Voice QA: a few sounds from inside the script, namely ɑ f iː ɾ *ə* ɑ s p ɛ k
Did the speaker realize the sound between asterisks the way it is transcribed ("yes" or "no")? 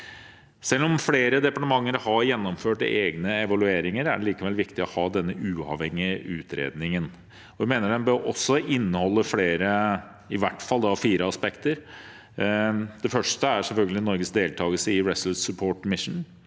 yes